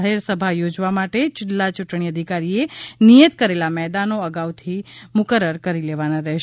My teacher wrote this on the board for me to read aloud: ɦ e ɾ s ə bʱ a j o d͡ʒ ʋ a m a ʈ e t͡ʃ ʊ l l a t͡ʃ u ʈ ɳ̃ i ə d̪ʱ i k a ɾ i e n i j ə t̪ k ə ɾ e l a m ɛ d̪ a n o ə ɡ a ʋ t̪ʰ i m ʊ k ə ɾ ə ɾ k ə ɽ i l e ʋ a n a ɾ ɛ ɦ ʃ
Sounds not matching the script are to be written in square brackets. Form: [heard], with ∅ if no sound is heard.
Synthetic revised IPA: ɦ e ɾ s ə bʱ a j o d͡ʒ ʋ a m a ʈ e t͡ʃ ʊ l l a t͡ʃ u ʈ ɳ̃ i ə d̪ʱ i k a ɾ i e n i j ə t̪ k ə ɾ e l a m ɛ d̪ a n o ə ɡ a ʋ t̪ʰ i m ʊ k ə ɾ ə ɾ k ə [ɾ] i l e ʋ a n a ɾ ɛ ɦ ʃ